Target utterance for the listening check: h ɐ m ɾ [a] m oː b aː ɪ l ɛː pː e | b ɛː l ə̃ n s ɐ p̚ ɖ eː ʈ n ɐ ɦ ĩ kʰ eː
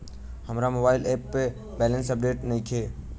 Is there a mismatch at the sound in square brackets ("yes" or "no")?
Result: no